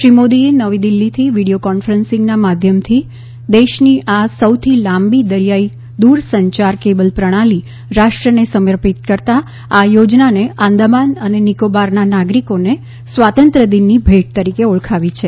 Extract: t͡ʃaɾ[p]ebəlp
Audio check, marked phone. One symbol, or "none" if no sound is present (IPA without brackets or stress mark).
k